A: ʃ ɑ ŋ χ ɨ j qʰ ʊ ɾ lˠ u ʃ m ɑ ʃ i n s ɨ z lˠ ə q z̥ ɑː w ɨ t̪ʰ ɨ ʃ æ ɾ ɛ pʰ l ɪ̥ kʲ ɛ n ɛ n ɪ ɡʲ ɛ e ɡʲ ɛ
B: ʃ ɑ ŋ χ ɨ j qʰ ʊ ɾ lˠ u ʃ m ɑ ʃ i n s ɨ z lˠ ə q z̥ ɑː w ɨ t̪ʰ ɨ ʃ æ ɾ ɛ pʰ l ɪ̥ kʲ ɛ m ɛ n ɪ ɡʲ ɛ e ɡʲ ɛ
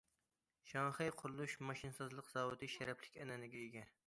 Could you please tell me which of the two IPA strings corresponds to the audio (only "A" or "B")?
A